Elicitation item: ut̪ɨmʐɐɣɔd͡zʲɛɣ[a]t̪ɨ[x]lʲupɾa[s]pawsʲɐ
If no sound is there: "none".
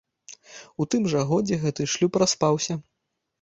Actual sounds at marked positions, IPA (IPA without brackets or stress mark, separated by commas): ɛ, ʂ, s